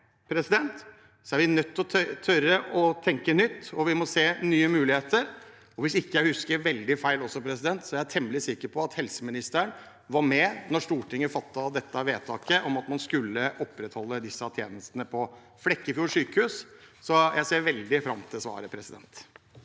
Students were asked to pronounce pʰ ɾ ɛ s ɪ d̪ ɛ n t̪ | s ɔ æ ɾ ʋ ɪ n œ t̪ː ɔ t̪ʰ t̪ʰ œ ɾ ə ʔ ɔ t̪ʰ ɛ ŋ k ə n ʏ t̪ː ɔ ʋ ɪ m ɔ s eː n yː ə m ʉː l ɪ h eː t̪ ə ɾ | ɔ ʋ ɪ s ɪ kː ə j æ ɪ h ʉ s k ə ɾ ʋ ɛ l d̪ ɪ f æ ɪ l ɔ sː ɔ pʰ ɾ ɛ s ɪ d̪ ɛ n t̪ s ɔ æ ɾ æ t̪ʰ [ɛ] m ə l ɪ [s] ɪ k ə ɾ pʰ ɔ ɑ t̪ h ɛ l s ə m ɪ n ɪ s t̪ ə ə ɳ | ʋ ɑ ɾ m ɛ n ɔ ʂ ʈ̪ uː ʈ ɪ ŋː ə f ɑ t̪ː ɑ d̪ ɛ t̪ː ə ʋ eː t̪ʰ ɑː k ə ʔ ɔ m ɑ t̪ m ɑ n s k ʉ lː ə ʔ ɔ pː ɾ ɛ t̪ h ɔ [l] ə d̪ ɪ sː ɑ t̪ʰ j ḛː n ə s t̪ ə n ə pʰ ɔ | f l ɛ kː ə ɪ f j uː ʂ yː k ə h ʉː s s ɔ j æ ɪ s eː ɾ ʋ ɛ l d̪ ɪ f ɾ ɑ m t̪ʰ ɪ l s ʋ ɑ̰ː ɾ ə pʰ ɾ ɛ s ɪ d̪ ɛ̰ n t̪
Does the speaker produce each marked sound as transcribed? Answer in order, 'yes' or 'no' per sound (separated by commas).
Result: yes, yes, no